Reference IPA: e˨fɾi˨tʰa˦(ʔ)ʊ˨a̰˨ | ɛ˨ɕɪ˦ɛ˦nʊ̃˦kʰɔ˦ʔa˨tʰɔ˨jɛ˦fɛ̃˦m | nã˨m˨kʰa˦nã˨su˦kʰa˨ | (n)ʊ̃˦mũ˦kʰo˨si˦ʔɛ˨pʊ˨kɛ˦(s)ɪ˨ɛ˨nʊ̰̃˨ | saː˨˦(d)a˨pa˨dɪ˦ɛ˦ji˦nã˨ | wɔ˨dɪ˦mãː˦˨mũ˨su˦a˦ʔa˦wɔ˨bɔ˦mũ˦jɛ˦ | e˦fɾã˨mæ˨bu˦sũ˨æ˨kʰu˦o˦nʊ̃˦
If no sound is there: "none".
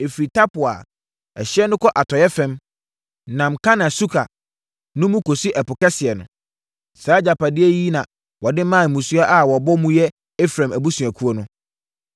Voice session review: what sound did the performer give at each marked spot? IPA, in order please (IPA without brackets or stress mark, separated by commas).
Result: p, n, s, d͡ʑ